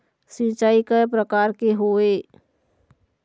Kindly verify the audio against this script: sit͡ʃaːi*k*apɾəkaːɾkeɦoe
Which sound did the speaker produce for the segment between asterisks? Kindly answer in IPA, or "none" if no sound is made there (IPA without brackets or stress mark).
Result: k